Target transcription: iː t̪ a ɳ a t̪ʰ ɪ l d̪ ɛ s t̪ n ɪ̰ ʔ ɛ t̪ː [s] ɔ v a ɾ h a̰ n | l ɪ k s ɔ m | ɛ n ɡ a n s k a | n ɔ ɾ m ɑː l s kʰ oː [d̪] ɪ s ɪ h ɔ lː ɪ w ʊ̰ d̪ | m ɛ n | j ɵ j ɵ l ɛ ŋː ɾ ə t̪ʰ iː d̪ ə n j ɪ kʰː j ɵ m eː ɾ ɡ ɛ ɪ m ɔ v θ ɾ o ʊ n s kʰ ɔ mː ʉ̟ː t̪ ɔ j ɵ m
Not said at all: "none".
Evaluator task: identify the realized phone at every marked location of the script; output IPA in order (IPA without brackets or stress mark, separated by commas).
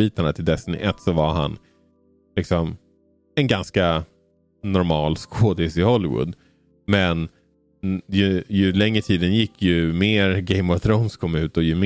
s, d̪